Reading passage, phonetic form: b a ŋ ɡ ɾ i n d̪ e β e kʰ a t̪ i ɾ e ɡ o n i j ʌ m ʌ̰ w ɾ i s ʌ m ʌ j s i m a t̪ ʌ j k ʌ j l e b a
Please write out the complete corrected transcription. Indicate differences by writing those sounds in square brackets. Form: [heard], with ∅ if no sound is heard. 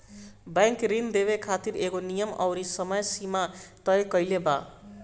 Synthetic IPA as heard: b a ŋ [k] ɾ i n d̪ e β e kʰ a t̪ i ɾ e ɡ o n i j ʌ m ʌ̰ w ɾ i s ʌ m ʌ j s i m a t̪ ʌ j k ʌ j l e b a